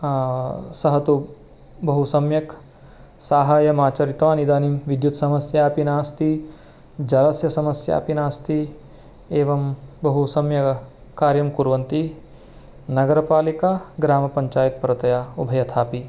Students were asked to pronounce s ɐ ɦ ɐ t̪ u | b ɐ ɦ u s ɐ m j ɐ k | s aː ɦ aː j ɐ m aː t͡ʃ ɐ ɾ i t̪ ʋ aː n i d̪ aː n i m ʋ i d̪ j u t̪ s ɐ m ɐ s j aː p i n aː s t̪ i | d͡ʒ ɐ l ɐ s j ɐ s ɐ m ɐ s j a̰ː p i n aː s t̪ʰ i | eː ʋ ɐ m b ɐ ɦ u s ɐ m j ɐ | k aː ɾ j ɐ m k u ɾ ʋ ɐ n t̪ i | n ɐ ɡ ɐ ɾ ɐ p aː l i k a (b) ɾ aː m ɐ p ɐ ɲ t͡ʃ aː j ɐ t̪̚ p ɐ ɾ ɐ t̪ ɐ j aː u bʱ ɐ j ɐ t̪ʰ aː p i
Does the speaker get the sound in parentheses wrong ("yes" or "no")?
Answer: yes